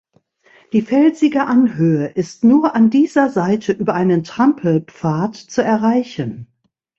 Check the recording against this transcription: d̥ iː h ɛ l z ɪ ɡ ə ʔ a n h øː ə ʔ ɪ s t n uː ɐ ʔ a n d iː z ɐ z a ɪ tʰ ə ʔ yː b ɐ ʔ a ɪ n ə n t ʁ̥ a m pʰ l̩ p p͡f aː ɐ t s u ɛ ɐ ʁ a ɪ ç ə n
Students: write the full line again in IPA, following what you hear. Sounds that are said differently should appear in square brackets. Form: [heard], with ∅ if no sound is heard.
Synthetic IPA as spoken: d̥ iː [f] ɛ l z ɪ ɡ ə ʔ a n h øː ə ʔ ɪ s t n uː ɐ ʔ a n d iː z ɐ z a ɪ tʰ ə ʔ yː b ɐ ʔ a ɪ n ə n t ʁ̥ a m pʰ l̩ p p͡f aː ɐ t [t͡s] u ɛ ɐ ʁ a ɪ ç ə n